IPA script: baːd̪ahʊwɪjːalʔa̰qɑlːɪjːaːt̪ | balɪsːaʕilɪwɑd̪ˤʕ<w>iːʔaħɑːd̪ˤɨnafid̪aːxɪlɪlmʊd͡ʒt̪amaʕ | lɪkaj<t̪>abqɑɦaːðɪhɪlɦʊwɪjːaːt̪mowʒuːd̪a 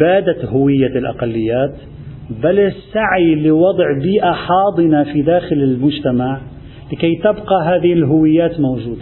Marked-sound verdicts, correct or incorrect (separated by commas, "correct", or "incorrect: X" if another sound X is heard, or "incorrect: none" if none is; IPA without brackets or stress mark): incorrect: b, correct